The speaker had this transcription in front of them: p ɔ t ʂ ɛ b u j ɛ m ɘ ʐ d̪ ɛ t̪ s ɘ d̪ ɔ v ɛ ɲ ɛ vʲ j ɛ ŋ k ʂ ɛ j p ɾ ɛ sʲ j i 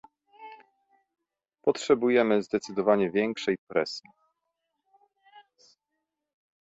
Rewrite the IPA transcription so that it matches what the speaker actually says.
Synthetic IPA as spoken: p ɔ t ʂ ɛ b u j ɛ m ɘ z d̪ ɛ t̪ s ɘ d̪ ɔ v a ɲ ɛ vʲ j ɛ ŋ k ʂ ɛ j p ɾ ɛ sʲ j i

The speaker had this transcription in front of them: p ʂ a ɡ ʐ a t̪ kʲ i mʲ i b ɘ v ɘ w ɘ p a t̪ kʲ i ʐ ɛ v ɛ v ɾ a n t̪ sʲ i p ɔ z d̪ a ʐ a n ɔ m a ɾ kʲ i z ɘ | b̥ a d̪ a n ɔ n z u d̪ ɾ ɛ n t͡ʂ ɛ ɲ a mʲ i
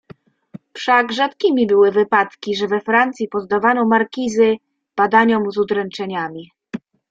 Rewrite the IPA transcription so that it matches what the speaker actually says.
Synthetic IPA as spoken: p ʂ a ɡ ʐ a t̪ kʲ i mʲ i b ɘ w ɘ v ɘ p a t̪ kʲ i ʐ ɛ v ɛ f ɾ a n t̪ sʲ i p ɔ z d̪ a v a n ɔ m a ɾ kʲ i z ɘ | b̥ a d̪ a ɲ ɔ m z u d̪ ɾ ɛ n t͡ʂ ɛ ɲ a mʲ i

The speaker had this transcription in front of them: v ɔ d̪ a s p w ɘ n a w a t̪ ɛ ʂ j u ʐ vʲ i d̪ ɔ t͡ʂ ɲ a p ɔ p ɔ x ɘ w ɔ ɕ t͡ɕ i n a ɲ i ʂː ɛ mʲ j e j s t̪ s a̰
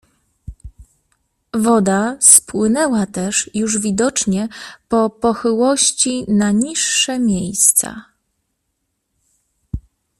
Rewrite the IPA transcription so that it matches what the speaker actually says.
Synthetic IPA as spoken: v ɔ d̪ a s p w ɘ n ɛ w a t̪ ɛ ʂ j u ʐ vʲ i d̪ ɔ t͡ʂ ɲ ɛ p ɔ p ɔ x ɘ w ɔ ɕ t͡ɕ i n a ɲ i ʂː ɛ mʲ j e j s t̪ s a̰

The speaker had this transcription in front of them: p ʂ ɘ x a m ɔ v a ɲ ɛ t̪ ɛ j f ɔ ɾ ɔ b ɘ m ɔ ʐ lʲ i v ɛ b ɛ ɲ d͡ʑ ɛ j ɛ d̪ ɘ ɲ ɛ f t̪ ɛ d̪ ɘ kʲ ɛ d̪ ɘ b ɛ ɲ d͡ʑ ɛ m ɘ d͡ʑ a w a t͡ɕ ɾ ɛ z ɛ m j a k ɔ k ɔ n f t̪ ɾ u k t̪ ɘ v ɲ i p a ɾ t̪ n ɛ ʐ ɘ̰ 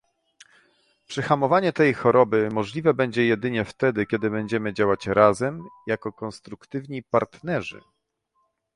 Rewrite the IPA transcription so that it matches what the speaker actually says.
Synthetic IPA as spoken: p ʂ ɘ x a m ɔ v a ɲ ɛ t̪ ɛ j x ɔ ɾ ɔ b ɘ m ɔ ʐ lʲ i v ɛ b ɛ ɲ d͡ʑ ɛ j ɛ d̪ ɘ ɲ ɛ f t̪ ɛ d̪ ɘ kʲ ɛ d̪ ɘ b ɛ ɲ d͡ʑ ɛ m ɘ d͡ʑ a w a t͡ɕ ɾ a z ɛ m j a k ɔ k ɔ n s t̪ ɾ u k t̪ ɘ v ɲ i p a ɾ t̪ n ɛ ʐ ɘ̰

